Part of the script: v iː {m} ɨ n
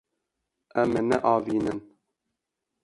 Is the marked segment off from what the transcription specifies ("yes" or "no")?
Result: yes